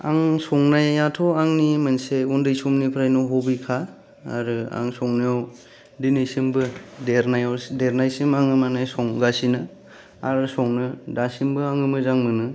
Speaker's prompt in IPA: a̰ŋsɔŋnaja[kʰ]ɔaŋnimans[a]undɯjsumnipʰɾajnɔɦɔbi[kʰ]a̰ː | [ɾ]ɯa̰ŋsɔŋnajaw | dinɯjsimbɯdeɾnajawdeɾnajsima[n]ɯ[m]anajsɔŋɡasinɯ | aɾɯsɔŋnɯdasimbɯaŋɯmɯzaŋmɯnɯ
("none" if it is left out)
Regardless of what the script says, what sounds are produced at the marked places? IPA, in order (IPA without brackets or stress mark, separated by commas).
tʰ, e, kʰ, ɾ, ŋ, m